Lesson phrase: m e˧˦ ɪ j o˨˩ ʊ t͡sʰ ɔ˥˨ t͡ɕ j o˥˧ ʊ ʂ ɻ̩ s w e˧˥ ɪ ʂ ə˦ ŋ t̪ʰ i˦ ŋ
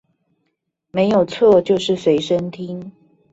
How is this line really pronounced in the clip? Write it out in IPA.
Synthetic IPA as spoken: m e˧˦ ɪ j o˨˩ ʊ t͡sʰ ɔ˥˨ t͡ɕ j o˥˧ ʊ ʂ ɻ̩ s w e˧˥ ɪ ʂ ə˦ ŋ t̪ʰ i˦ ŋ